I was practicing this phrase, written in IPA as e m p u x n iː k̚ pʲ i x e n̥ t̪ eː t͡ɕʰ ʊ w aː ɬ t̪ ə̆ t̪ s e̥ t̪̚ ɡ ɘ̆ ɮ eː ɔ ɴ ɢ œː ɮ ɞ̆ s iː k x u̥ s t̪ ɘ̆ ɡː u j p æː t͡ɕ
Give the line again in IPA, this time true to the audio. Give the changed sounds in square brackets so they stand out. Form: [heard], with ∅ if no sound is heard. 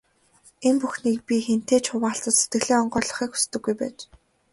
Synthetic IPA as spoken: e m p u x n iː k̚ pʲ i x e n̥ t̪ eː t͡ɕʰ ʊ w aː ɬ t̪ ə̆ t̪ s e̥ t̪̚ ɡ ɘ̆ ɮ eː ɔ ɴ ɢ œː ɮ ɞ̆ [χ] iː k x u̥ s t̪ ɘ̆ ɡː u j p æː t͡ɕ